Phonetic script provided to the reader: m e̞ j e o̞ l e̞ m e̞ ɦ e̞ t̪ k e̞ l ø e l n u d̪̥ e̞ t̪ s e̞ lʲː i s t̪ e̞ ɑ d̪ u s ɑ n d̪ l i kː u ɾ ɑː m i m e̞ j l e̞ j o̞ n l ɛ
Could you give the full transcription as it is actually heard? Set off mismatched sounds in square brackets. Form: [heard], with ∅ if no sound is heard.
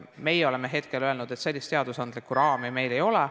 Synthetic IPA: m e̞ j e o̞ l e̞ m e̞ ɦ e̞ t̪ k e̞ l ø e l n u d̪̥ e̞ t̪ s e̞ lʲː i s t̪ e̞ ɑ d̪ u s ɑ n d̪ l i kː u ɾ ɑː m i m e̞ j l e̞ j o̞ [∅] l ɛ